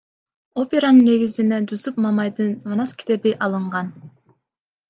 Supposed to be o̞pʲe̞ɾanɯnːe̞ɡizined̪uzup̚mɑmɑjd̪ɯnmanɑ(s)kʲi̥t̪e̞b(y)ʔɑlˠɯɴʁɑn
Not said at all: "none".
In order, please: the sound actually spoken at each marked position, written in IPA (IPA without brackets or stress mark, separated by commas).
s, i